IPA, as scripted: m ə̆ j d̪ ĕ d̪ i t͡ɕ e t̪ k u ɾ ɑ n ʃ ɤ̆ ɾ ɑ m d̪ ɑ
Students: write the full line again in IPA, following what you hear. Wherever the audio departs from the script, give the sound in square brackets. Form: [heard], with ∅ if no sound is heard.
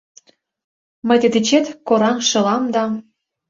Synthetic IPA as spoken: m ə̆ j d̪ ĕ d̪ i t͡ɕ e t̪ k [o] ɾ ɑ n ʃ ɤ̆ [l] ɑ m d̪ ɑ